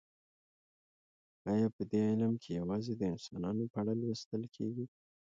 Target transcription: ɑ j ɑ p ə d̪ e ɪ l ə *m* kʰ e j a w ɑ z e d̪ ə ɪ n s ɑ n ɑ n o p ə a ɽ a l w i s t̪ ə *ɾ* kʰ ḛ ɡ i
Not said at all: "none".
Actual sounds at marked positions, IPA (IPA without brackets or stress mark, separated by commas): m, l